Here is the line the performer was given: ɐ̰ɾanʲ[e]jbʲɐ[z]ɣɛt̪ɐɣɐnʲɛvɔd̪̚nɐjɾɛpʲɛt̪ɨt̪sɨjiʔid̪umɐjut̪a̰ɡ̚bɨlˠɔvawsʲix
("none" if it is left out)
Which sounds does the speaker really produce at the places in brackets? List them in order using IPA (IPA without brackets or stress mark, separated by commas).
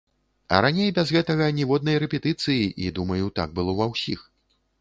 e, z